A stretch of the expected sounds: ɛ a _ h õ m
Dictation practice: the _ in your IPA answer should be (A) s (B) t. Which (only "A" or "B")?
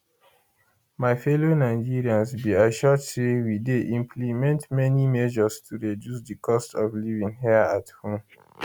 B